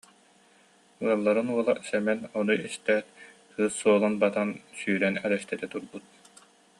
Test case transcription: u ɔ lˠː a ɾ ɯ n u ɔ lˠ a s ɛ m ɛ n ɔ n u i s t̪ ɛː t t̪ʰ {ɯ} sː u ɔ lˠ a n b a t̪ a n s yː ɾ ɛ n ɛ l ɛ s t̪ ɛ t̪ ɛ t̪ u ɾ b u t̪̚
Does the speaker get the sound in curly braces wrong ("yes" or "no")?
yes